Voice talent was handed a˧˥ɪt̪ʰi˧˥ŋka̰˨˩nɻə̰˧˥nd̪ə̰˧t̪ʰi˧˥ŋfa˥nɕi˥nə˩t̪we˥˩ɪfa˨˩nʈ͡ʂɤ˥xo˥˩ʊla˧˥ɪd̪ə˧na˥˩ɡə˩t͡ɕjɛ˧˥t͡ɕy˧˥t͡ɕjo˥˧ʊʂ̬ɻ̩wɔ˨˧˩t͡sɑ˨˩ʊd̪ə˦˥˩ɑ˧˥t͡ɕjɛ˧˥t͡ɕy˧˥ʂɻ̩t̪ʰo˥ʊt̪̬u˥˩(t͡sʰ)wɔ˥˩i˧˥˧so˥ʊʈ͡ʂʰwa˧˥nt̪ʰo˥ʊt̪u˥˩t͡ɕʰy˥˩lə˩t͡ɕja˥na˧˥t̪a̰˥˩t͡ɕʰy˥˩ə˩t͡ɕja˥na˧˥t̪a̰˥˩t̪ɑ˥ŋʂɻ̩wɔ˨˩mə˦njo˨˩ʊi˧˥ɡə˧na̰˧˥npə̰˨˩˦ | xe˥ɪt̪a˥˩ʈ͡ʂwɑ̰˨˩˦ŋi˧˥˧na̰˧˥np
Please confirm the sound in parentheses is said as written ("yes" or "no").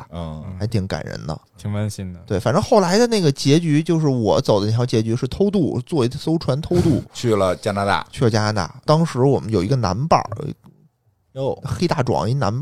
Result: no